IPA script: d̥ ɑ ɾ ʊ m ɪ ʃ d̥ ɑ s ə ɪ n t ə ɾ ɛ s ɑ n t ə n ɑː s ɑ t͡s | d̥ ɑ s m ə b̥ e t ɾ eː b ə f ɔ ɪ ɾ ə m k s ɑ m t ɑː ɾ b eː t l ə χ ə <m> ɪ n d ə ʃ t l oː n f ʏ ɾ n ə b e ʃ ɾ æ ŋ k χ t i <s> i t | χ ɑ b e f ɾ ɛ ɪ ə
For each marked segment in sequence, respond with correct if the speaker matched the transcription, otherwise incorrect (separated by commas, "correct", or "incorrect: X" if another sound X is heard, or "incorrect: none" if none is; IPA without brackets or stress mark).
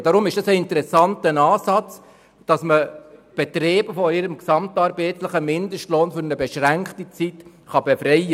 correct, incorrect: t͡s